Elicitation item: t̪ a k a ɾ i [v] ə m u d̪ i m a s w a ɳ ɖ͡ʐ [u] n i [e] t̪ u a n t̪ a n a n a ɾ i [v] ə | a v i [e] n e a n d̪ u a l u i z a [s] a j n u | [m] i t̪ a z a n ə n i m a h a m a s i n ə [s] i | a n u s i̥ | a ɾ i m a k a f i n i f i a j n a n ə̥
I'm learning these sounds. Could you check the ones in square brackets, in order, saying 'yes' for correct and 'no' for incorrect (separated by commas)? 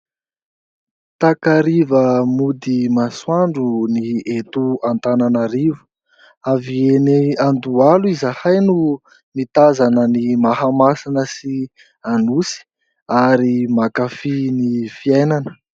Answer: yes, yes, yes, yes, yes, no, yes, yes